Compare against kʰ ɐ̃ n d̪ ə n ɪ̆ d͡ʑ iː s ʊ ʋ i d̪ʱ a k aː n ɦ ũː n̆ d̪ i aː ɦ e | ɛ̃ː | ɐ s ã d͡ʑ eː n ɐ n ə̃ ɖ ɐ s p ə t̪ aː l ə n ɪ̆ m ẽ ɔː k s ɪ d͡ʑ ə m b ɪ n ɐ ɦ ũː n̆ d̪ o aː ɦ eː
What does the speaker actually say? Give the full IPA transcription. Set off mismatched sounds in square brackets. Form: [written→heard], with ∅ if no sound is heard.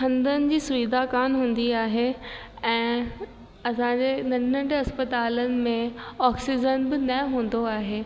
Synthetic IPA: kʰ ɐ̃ n d̪ ə n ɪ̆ d͡ʑ iː s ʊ ʋ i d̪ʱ a k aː n ɦ ũː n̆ d̪ i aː ɦ e | ɛ̃ː | ɐ s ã d͡ʑ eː n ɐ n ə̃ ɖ ɐ s p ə t̪ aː l ə n ɪ̆ m ẽ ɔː k s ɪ d͡ʑ ə [m→n] b ɪ n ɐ ɦ ũː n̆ d̪ o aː ɦ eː